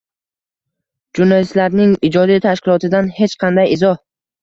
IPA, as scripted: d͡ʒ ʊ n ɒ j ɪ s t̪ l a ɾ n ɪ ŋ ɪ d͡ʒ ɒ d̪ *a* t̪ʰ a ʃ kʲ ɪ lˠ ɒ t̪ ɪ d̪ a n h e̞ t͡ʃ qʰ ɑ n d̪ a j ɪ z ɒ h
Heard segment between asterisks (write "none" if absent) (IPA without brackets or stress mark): i